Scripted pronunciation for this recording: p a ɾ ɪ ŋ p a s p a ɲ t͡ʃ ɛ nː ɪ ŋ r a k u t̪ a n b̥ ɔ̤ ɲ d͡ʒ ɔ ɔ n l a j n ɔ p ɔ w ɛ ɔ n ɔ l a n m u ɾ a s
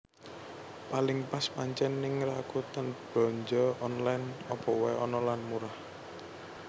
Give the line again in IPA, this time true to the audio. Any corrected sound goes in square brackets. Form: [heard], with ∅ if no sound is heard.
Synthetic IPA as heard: p a [l] ɪ ŋ p a s p a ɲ t͡ʃ ɛ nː ɪ ŋ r a k u t̪ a n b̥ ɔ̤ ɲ d͡ʒ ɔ ɔ n l a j n ɔ p ɔ w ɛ ɔ n ɔ l a n m u ɾ a [h]